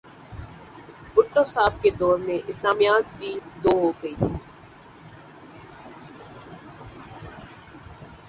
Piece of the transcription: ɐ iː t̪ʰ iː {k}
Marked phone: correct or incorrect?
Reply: incorrect